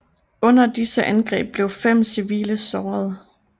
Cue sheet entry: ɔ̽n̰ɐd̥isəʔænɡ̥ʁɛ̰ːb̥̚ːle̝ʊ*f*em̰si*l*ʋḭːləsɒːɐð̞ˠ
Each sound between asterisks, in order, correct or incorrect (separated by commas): correct, incorrect